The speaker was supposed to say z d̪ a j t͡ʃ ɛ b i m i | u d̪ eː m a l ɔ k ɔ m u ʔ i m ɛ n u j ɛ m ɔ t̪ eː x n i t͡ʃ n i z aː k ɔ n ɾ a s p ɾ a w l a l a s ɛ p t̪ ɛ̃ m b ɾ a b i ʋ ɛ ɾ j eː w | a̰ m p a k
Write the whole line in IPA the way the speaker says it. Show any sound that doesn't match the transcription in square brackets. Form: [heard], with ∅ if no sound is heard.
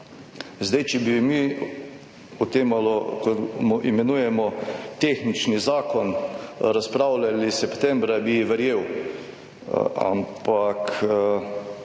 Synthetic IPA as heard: z d̪ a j t͡ʃ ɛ b i m i | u [t̪] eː m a l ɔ k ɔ m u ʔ i m ɛ n u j ɛ m ɔ t̪ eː x n i t͡ʃ n i z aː k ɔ n ɾ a s p ɾ a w l a l [i] s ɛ p t̪ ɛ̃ m b ɾ a b i ʋ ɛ ɾ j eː w | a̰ m p a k